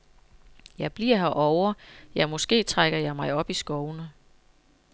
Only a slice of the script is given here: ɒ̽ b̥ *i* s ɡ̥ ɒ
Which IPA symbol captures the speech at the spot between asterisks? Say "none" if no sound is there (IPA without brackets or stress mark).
i